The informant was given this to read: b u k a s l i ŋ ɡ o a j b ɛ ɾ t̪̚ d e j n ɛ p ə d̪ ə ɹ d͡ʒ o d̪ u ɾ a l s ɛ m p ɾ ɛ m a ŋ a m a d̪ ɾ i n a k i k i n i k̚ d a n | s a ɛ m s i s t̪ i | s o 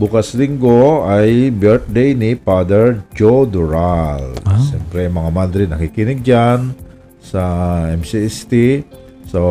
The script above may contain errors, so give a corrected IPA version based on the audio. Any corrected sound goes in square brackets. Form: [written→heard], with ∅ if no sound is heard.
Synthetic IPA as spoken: b u k a s l i ŋ ɡ o a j b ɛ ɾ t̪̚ d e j n [ɛ→i] p [ə→a] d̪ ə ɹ d͡ʒ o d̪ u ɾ a l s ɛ m p ɾ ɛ m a ŋ a m a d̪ ɾ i n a k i k i n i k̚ [d→d͡ʒ] a n | s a ɛ m s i s t̪ i | s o